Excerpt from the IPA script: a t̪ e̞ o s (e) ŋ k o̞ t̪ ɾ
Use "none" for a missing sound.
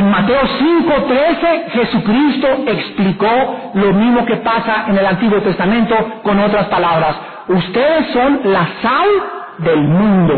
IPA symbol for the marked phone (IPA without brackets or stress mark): i